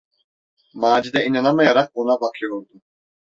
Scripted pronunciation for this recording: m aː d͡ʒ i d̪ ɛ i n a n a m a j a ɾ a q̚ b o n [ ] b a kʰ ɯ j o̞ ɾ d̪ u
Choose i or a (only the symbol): a